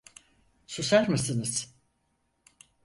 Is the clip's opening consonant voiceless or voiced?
voiceless